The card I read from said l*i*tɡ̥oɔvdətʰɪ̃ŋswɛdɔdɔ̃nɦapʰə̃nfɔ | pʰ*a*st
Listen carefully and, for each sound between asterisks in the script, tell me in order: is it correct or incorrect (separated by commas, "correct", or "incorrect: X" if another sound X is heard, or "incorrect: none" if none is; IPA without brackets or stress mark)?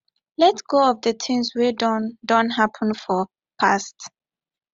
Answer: incorrect: ɛ, correct